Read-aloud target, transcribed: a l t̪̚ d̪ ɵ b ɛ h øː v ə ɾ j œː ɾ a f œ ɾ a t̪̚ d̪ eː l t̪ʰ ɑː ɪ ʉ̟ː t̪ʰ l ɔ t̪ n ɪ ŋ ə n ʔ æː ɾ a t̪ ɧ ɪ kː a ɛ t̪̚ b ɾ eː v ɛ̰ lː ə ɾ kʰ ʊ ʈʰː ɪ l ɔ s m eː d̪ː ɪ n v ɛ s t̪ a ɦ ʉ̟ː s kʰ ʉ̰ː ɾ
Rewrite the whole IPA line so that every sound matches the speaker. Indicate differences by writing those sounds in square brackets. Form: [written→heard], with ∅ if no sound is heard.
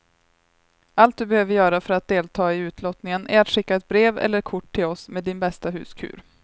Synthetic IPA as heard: a l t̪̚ d̪ ɵ b ɛ h øː v ə ɾ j œː ɾ a f œ ɾ a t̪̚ d̪ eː l t̪ʰ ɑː ɪ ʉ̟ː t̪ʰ l ɔ t̪ n ɪ ŋ ə n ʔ [æː→æ] ɾ a t̪ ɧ ɪ kː a ɛ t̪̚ b ɾ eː v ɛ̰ lː ə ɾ kʰ ʊ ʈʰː ɪ l ɔ s m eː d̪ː ɪ n [v→b] ɛ s t̪ a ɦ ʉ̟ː s kʰ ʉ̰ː ɾ